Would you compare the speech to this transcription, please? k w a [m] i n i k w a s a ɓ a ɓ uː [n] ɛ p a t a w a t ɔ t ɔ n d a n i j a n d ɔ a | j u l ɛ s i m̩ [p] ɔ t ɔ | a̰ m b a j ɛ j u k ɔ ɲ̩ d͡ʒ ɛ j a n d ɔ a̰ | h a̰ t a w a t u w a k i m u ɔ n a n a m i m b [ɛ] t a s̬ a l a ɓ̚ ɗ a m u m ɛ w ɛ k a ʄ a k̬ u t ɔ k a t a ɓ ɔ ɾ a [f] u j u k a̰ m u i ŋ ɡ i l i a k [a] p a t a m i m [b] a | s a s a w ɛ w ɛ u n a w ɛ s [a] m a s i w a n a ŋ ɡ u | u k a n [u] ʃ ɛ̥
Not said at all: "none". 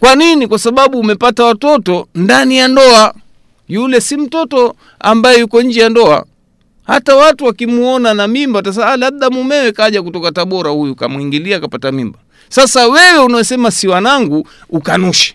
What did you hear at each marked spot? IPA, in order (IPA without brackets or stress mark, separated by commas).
n, m, t, a, h, a, b, ɛ, u